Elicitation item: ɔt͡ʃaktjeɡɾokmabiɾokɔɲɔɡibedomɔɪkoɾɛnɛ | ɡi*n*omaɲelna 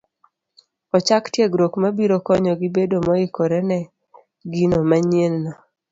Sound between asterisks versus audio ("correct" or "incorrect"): correct